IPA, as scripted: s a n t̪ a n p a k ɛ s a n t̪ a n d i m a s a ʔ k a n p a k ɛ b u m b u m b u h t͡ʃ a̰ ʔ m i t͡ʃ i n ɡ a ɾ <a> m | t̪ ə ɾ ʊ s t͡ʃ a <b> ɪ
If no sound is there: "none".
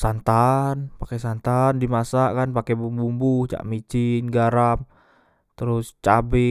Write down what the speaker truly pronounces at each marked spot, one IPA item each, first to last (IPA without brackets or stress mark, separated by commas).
a, b